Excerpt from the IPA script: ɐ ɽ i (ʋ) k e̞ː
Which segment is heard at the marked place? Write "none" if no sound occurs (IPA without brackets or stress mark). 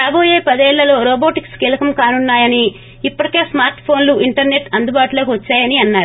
none